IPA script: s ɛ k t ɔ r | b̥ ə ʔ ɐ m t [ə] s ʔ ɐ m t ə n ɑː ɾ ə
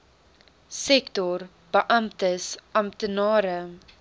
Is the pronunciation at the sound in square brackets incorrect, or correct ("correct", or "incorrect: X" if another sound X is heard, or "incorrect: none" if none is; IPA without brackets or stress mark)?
correct